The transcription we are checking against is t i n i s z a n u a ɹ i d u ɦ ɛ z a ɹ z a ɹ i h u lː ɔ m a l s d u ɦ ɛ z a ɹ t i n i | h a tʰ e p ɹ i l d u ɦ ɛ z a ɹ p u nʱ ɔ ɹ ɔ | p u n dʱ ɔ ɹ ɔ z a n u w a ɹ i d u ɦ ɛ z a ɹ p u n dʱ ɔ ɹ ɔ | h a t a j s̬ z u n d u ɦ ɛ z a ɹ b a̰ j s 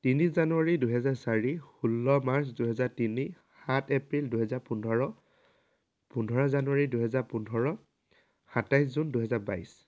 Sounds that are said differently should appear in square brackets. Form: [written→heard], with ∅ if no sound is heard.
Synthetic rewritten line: t i n i s z a n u a ɹ i d u ɦ ɛ z a ɹ [z→s] a ɹ i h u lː ɔ m a [l→ɹ] s d u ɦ ɛ z a ɹ t i n i | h a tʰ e p ɹ i l d u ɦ ɛ z a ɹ p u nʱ ɔ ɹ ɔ | p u n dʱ ɔ ɹ ɔ z a n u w a ɹ i d u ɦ ɛ z a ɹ p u n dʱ ɔ ɹ ɔ | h a t a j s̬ z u n d u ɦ ɛ z a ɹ b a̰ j s